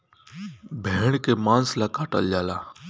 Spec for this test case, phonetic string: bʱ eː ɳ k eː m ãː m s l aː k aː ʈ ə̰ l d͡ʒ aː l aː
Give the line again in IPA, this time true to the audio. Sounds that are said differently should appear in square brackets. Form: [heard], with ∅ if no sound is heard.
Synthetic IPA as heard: bʱ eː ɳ k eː m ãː [n] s l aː k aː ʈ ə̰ l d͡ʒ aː l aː